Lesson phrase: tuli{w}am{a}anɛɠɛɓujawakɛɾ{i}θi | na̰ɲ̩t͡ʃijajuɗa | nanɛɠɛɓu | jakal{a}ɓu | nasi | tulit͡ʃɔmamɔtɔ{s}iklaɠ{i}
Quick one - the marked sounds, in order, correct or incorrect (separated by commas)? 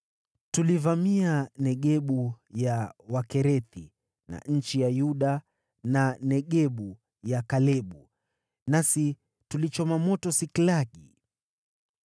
incorrect, incorrect, incorrect, incorrect, correct, correct